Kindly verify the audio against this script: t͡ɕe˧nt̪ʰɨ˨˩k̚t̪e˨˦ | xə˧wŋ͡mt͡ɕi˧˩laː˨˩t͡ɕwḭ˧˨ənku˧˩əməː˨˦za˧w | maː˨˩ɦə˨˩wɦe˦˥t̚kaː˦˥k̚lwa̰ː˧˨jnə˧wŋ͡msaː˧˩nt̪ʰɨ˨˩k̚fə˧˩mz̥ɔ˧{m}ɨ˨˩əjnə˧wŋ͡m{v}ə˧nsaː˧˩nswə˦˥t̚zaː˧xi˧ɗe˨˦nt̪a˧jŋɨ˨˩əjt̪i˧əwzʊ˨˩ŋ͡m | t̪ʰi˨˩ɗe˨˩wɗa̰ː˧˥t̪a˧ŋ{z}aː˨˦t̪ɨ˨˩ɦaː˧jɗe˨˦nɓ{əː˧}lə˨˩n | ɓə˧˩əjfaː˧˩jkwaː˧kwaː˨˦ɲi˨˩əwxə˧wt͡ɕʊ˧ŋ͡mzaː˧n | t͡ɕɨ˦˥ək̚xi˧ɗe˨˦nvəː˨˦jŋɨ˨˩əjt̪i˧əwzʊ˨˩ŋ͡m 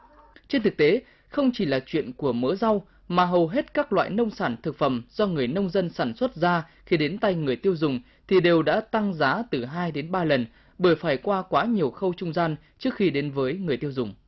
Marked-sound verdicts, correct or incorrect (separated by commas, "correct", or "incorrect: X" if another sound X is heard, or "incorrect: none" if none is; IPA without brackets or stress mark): incorrect: ŋ, incorrect: z, correct, incorrect: aː˧